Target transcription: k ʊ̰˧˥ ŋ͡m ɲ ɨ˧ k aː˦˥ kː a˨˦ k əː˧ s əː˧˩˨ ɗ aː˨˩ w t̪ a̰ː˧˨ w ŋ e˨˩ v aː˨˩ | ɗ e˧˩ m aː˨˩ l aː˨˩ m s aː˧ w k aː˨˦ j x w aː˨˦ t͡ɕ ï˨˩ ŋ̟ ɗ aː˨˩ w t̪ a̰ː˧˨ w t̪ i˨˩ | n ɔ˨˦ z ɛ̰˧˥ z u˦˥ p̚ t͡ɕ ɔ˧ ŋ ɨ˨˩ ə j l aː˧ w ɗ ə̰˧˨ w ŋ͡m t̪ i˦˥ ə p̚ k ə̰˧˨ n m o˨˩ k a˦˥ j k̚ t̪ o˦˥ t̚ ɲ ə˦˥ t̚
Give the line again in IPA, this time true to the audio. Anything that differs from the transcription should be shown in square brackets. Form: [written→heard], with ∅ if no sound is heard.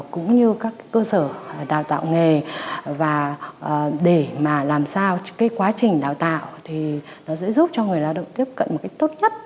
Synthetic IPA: k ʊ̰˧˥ ŋ͡m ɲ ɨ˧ k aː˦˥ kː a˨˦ k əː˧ s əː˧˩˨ ɗ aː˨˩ w t̪ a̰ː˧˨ w ŋ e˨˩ v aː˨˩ | ɗ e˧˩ m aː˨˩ l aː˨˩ m s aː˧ w k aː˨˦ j [x→k] w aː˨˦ t͡ɕ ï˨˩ ŋ̟ ɗ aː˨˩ w t̪ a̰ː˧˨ w [t̪→t̪ʰ] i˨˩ | n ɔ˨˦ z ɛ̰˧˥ z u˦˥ p̚ t͡ɕ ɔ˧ ŋ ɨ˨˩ ə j l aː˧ w ɗ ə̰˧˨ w ŋ͡m t̪ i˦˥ ə p̚ k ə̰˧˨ n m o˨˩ k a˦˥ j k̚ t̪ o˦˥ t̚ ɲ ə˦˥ t̚